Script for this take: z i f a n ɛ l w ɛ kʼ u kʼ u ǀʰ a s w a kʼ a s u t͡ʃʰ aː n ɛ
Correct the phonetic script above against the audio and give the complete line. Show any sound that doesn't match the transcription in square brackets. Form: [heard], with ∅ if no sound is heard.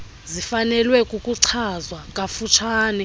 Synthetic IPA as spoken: z i f a n ɛ l w ɛ kʼ u kʼ u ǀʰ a [z] w a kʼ a [f] u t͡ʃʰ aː n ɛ

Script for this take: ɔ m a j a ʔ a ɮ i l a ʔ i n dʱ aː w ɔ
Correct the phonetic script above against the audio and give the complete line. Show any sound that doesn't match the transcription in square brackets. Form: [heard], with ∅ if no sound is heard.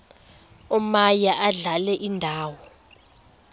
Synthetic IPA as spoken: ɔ m a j a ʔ a ɮ [a] l [ɛ] ʔ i n dʱ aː w ɔ

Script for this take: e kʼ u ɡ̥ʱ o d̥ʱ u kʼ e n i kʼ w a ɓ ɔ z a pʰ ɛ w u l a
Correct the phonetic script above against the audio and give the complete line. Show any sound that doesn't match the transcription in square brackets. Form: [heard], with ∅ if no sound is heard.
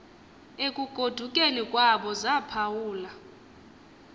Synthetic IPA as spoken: e kʼ u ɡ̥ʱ o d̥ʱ u kʼ e n i kʼ w a ɓ ɔ z a pʰ [a] w [uː] l a

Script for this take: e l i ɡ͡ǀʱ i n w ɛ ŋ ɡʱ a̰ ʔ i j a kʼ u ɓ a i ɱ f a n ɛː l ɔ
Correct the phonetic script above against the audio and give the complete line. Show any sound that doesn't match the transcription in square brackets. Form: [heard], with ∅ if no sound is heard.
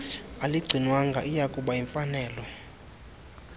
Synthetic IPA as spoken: [a] l i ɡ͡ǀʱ i n w [a] ŋ ɡʱ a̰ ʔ i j a kʼ u ɓ a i ɱ f a n ɛː l ɔ

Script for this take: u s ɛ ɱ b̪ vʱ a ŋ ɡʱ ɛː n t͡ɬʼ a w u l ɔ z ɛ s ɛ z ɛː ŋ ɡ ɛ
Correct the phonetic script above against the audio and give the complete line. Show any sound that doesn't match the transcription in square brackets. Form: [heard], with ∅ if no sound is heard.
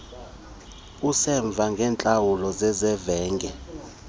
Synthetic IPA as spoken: u s ɛ ɱ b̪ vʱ a ŋ ɡʱ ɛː n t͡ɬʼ a w u l ɔ z ɛ [z] ɛ [v] ɛː ŋ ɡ ɛ

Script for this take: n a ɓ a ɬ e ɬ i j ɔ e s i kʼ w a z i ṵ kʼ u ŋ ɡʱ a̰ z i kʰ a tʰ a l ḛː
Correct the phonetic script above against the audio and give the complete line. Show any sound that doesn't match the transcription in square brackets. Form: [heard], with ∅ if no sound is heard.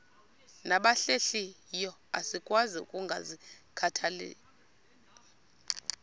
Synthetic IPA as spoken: n a ɓ a ɬ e ɬ i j ɔ [a] s i kʼ w a z i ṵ kʼ u ŋ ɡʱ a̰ z i kʰ a tʰ a l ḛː

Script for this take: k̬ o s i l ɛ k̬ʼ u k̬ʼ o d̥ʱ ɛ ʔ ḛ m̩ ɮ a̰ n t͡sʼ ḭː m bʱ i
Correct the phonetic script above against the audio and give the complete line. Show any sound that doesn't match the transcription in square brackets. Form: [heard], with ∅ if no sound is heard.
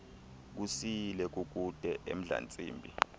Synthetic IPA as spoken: k̬ [u] s i l ɛ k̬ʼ u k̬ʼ [u] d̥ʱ ɛ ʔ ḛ m̩ ɮ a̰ n t͡sʼ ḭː m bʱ i

